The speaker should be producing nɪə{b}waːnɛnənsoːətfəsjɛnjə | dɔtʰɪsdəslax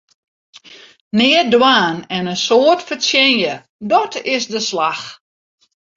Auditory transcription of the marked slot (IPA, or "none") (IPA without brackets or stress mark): d